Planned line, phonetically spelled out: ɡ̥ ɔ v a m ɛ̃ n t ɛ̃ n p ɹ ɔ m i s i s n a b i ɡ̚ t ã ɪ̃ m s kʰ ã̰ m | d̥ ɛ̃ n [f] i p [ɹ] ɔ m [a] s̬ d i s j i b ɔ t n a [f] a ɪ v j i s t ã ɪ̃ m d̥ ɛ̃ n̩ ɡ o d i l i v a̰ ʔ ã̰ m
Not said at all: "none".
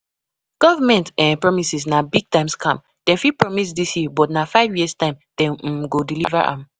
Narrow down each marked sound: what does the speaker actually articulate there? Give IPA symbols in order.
f, ɹ, i, f

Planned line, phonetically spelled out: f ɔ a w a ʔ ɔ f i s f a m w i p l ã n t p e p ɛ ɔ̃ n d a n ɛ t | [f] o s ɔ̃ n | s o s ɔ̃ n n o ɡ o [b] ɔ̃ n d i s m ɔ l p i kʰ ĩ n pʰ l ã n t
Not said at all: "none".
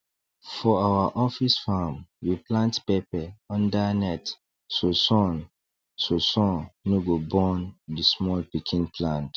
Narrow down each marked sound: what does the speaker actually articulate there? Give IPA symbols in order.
s, b

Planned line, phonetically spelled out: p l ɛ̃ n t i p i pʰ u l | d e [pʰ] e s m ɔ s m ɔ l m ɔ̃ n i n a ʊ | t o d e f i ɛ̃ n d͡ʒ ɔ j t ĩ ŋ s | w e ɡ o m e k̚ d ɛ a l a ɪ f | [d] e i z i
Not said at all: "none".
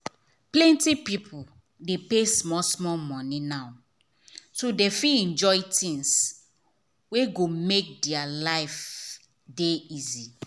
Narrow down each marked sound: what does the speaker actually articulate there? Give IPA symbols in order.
p, d

